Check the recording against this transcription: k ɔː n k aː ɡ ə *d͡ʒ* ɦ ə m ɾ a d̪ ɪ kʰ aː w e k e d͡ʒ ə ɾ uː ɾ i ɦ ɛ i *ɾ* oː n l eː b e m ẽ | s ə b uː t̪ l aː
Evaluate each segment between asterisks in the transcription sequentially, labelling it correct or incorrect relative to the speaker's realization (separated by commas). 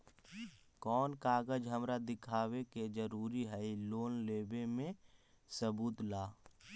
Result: correct, incorrect